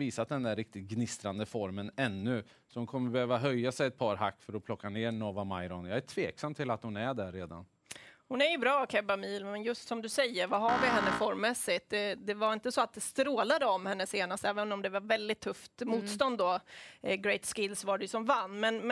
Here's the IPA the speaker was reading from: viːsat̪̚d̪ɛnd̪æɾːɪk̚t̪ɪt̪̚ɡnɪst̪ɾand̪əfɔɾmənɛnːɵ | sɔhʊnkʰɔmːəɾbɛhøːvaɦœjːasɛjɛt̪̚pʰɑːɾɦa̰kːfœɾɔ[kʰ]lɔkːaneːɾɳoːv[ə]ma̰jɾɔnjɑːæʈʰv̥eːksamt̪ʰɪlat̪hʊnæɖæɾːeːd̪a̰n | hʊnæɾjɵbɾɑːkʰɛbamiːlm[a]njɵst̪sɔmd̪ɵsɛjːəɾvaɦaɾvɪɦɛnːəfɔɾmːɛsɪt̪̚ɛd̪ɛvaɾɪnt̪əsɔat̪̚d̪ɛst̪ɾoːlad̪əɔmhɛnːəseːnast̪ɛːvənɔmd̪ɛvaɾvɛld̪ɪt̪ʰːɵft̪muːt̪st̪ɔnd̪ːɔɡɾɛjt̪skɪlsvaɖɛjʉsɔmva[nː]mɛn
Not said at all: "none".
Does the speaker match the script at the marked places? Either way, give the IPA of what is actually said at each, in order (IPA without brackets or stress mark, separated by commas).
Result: pʰ, a, ɛ, nː